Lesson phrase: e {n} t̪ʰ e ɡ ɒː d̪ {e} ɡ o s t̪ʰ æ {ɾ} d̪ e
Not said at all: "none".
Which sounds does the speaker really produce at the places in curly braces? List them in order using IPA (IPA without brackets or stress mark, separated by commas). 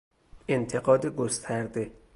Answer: n, e, ɾ